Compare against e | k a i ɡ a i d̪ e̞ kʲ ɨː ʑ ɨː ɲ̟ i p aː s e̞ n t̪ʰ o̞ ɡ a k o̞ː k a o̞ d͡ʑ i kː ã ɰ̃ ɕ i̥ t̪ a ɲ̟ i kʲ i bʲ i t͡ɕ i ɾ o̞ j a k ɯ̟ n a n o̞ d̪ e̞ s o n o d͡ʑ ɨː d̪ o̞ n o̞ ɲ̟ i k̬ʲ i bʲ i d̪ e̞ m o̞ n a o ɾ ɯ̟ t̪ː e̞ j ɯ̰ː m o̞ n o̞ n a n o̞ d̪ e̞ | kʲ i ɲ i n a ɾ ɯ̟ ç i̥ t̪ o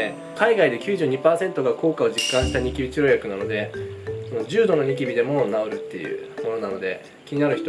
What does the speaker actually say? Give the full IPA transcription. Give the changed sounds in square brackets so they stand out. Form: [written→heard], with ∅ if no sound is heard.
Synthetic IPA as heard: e | k a i ɡ a i d̪ e̞ kʲ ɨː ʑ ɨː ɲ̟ i p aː s e̞ n [t̪ʰ→t̪] o̞ ɡ a k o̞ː k a o̞ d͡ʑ i kː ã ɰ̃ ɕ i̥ t̪ a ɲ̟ i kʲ i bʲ i t͡ɕ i ɾ o̞ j a k ɯ̟ n a n o̞ d̪ e̞ s o n o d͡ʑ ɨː d̪ o̞ n o̞ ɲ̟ i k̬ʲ i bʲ i d̪ e̞ m o̞ n a o ɾ ɯ̟ t̪ː e̞ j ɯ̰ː m o̞ n o̞ n a n o̞ d̪ e̞ | kʲ i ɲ i n a ɾ ɯ̟ ç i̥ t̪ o

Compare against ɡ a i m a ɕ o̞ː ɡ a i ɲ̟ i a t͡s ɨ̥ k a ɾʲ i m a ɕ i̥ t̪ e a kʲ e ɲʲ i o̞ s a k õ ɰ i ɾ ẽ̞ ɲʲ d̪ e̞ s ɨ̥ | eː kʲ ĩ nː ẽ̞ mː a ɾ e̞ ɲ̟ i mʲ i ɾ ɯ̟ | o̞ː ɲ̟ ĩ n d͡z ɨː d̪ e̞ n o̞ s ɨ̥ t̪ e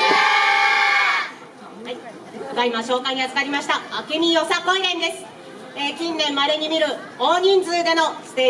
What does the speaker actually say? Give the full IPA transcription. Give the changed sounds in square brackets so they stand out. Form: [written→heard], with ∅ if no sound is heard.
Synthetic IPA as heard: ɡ a i m a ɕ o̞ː [ɡ→k] a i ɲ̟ i a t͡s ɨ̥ k a ɾʲ i m a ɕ i̥ t̪ [e→a] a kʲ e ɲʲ i o̞ s a k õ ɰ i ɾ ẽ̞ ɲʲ d̪ e̞ s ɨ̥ | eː kʲ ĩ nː ẽ̞ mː a ɾ e̞ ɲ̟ i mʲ i ɾ ɯ̟ | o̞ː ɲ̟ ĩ n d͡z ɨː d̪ e̞ n o̞ s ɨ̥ t̪ e

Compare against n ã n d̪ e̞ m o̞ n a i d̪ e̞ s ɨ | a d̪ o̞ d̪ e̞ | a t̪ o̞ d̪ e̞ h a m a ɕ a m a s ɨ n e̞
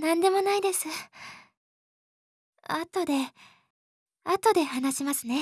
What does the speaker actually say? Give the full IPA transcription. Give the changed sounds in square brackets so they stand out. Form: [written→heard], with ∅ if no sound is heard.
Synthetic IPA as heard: n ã n d̪ e̞ m o̞ n a i d̪ e̞ s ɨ | a [d̪→t̪] o̞ d̪ e̞ | a t̪ o̞ d̪ e̞ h a [m→n] a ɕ [a→i] m a s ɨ n e̞

